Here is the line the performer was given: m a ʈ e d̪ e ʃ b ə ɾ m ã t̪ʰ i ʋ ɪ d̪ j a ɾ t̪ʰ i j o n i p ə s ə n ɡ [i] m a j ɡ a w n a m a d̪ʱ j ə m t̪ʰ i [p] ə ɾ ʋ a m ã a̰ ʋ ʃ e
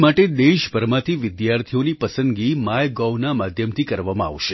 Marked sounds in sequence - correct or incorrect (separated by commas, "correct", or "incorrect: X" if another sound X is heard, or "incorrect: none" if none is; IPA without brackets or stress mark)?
correct, incorrect: k